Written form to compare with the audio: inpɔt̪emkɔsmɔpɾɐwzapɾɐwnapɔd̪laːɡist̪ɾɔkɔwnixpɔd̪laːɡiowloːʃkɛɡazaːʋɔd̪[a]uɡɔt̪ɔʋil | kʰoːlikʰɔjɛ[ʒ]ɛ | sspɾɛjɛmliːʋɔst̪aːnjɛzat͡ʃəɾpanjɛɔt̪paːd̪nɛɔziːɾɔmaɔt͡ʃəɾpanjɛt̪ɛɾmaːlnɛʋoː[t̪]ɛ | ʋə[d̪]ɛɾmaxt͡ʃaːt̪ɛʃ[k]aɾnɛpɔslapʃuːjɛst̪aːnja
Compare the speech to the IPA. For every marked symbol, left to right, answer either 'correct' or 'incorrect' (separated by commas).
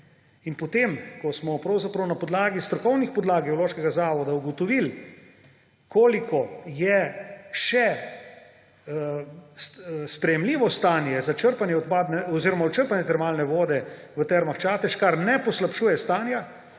correct, incorrect, incorrect, incorrect, correct